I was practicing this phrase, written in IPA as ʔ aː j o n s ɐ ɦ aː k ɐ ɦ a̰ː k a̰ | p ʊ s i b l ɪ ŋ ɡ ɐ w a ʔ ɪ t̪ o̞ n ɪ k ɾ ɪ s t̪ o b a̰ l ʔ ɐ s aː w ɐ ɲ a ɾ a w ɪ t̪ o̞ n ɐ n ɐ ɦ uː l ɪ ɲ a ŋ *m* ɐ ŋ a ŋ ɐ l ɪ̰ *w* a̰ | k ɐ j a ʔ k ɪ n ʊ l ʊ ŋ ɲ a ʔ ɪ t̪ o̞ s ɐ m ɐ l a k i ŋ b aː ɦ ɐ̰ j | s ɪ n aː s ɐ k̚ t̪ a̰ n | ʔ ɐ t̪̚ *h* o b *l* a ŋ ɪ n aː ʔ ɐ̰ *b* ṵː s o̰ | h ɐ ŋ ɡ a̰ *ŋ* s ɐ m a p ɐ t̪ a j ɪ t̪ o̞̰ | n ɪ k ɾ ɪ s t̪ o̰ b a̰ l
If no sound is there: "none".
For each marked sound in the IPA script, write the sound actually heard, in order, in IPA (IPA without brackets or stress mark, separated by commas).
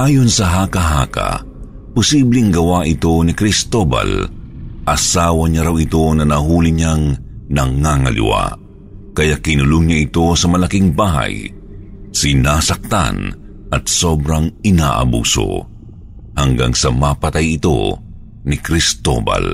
n, w, s, ɾ, b, ŋ